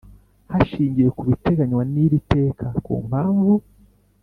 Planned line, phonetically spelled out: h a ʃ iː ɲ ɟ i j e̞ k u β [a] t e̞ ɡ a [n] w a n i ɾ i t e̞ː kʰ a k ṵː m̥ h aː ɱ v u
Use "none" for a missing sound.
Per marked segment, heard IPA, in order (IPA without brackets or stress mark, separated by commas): i, ɲ